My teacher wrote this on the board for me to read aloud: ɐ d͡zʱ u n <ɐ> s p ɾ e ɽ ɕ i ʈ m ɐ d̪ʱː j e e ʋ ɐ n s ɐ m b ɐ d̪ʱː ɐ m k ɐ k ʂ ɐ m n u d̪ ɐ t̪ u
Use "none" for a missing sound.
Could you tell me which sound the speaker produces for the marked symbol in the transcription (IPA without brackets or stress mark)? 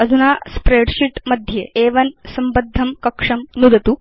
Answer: a